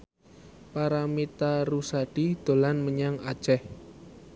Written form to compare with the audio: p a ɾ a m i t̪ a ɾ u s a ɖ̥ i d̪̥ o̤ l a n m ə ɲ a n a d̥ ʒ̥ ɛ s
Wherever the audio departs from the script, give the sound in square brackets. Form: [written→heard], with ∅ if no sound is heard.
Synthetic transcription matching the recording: p a ɾ a m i t̪ a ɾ u s a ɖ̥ i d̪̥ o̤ l a n m ə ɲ a [n→ŋ] a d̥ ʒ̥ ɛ [s→h]